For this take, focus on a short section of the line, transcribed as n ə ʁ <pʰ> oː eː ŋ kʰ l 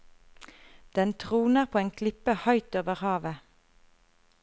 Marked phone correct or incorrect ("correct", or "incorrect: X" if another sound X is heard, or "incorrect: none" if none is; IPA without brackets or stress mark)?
correct